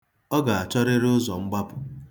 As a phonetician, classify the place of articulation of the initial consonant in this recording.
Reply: velar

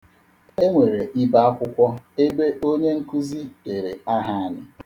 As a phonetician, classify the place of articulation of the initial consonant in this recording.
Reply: velar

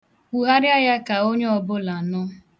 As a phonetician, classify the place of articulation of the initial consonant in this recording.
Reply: glottal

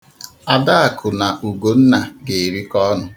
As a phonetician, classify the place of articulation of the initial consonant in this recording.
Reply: alveolar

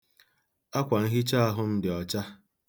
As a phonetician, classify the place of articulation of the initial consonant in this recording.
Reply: velar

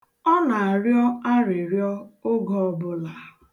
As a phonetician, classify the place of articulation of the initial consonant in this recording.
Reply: alveolar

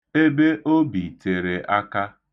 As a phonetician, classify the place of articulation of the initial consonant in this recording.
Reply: labial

